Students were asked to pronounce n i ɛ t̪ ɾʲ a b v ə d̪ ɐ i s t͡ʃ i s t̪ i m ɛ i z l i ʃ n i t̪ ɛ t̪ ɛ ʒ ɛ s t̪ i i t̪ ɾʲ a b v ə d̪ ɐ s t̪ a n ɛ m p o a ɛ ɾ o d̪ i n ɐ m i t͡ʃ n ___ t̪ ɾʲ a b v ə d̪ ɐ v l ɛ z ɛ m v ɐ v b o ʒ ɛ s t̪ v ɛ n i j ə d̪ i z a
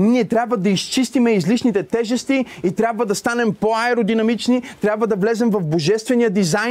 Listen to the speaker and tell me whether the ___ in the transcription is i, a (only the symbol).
i